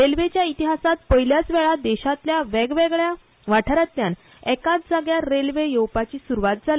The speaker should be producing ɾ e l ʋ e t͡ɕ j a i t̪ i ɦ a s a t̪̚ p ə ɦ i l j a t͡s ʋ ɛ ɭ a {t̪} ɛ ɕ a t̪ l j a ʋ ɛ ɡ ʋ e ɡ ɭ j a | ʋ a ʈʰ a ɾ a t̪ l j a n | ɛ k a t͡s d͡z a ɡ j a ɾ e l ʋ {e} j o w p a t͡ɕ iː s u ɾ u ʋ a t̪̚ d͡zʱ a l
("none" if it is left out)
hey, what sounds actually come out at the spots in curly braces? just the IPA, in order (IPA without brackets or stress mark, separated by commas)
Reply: d̪, e